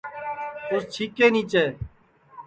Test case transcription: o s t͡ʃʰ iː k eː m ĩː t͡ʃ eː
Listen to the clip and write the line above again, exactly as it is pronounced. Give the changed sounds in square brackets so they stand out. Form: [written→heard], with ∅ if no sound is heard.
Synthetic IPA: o s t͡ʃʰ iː k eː [m→n] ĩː t͡ʃ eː